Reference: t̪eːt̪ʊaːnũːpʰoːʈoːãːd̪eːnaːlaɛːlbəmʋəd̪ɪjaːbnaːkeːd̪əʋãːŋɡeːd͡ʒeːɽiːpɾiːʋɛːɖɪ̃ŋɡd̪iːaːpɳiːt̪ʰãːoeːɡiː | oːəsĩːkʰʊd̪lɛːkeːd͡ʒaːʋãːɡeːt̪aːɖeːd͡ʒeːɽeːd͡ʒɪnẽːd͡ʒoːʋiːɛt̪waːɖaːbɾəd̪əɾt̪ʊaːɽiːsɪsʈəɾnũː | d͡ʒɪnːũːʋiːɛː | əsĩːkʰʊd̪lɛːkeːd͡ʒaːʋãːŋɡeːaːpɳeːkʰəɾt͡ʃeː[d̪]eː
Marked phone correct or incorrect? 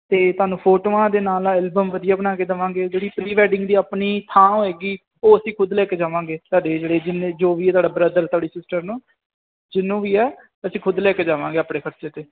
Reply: incorrect